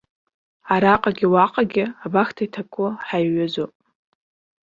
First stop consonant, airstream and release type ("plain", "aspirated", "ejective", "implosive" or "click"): ejective